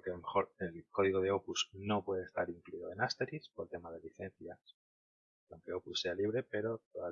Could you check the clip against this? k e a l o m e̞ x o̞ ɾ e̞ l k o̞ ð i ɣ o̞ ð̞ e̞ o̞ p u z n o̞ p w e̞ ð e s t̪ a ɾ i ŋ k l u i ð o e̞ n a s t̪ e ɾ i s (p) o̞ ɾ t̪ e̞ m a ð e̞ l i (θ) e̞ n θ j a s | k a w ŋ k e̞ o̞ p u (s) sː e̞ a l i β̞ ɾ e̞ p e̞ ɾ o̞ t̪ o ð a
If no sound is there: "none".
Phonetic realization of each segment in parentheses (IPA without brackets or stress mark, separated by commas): p, θ, s